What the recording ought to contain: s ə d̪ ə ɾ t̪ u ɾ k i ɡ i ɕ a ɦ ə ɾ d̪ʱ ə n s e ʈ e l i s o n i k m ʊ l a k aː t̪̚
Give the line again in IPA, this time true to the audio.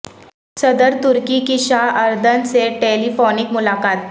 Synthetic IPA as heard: s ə d̪ ə ɾ t̪ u ɾ k i k i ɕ a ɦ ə ɾ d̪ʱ ə n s e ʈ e l i f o n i k m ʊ l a k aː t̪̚